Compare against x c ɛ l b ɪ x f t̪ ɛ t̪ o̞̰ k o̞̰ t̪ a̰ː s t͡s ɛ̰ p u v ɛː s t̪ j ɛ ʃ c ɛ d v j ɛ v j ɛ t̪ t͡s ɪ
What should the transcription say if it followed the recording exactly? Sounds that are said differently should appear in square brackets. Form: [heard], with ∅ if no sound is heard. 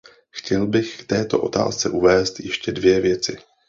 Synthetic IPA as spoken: x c ɛ l b ɪ x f t̪ [ɛː] t̪ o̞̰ [ʔ] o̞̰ t̪ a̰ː s t͡s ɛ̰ [ʔ] u v ɛː s t̪ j ɛ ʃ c ɛ d v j ɛ v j ɛ [∅] t͡s ɪ